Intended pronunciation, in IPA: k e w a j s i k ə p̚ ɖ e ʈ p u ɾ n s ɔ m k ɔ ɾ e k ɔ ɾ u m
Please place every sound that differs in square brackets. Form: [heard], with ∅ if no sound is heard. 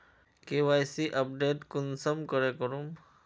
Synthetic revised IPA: k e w a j s i [ʔ] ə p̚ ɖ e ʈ [k] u [∅] n s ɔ m k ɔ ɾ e k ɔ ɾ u m